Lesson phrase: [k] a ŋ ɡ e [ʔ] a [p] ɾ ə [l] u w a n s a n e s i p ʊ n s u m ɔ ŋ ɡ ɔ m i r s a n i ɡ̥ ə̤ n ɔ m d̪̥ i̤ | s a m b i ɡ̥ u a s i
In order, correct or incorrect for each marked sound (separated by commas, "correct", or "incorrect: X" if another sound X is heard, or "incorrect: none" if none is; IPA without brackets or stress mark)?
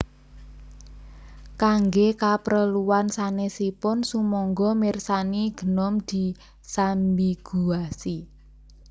correct, incorrect: k, correct, correct